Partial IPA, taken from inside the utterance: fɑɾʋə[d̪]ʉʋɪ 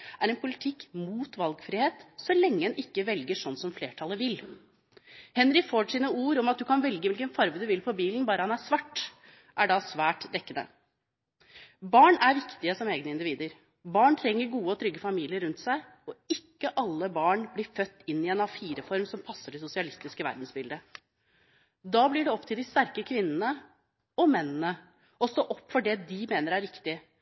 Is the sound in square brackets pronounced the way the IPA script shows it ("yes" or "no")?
yes